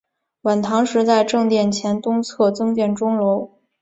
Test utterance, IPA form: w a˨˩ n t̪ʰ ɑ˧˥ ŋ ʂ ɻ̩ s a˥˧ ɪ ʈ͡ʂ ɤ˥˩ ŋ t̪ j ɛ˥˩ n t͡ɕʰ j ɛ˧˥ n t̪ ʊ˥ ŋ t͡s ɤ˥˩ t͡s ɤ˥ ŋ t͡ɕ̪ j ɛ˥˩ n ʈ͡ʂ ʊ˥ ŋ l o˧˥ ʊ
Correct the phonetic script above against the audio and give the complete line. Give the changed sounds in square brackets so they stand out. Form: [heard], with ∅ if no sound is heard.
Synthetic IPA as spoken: w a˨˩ n t̪ʰ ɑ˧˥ ŋ ʂ ɻ̩ [t͡s] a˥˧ ɪ ʈ͡ʂ [ɤ˥˧] ŋ t̪ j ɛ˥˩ n t͡ɕʰ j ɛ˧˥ n t̪ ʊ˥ ŋ [t͡sʰ] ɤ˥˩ t͡s ɤ˥ ŋ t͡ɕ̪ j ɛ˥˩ n ʈ͡ʂ ʊ˥ ŋ l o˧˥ ʊ